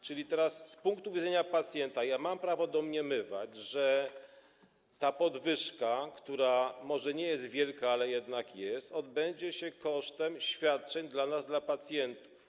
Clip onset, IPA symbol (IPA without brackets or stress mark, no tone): t͡ʂ